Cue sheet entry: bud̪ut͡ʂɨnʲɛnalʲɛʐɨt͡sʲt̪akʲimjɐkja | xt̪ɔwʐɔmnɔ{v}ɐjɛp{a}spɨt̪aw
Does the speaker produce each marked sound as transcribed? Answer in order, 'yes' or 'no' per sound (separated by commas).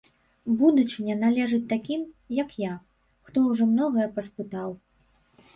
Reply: no, no